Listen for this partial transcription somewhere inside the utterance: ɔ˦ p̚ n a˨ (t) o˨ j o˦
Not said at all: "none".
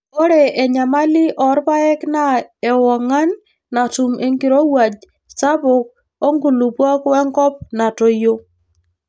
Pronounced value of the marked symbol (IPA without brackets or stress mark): t